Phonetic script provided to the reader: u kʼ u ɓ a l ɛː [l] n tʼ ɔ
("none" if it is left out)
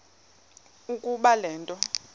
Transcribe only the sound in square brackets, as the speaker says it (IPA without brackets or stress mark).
none